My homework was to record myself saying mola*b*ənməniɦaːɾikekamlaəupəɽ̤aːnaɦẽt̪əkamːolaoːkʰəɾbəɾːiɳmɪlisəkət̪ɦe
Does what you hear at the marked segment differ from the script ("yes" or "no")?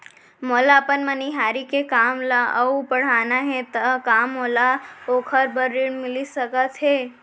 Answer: yes